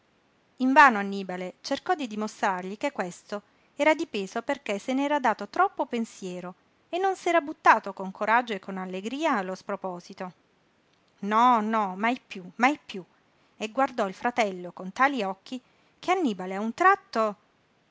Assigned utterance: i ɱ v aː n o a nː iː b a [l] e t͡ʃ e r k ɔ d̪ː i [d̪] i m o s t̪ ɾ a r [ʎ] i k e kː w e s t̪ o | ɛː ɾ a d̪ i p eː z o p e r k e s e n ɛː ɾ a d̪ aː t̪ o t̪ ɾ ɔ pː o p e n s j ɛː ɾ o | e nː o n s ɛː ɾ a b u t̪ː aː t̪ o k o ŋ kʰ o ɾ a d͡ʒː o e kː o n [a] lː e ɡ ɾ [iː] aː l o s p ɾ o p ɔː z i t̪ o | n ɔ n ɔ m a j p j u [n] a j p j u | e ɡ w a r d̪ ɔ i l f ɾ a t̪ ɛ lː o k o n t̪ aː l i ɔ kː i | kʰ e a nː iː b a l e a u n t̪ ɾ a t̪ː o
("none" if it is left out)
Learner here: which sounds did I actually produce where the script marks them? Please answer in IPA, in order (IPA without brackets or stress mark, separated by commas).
l, d̪, ʎ, a, iː, m